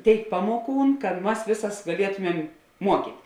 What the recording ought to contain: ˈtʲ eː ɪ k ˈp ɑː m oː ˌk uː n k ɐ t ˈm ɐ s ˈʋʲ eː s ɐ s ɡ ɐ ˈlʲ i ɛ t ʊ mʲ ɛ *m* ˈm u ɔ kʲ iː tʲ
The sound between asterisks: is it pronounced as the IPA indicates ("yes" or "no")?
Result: yes